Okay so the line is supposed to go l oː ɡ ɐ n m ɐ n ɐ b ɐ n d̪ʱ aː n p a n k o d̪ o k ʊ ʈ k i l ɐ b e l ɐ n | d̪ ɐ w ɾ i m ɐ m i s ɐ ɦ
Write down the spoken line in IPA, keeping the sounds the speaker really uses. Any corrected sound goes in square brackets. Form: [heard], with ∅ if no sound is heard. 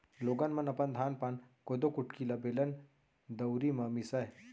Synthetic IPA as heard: l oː ɡ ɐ n m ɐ n ɐ [p] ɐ n d̪ʱ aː n p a n k o d̪ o k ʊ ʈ k i l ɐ b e l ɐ n | d̪ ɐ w ɾ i m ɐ m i s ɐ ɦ